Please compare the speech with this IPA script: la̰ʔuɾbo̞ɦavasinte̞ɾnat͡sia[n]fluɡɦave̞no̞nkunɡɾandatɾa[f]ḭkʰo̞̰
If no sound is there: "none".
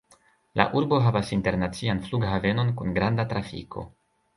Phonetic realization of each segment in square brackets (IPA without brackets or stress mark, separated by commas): n, f